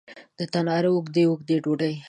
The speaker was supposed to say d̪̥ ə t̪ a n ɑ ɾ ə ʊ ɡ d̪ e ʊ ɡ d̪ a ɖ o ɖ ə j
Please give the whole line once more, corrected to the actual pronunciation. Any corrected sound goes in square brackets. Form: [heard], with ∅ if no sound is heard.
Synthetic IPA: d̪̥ ə t̪ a n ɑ ɾ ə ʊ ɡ d̪ e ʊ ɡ d̪ [e] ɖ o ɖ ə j